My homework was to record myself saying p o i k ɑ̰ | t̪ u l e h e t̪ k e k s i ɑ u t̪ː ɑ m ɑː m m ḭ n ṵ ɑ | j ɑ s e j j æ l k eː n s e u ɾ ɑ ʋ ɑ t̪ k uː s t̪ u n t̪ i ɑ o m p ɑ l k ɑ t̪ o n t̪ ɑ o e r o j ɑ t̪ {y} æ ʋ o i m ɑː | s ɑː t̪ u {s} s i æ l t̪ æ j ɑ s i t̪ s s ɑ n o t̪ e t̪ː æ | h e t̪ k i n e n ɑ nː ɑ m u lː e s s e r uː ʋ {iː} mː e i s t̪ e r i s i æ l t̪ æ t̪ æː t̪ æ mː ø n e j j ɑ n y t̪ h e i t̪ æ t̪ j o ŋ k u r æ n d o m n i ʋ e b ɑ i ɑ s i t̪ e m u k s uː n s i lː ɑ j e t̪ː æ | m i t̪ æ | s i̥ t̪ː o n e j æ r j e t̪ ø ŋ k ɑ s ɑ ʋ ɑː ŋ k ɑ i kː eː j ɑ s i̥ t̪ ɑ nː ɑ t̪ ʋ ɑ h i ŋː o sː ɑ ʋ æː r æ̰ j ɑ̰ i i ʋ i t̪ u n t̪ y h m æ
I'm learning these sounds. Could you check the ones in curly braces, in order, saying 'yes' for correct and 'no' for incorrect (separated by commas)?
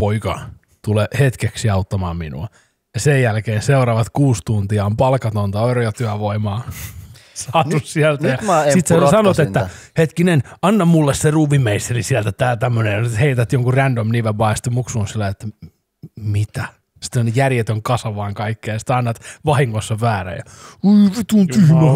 yes, yes, no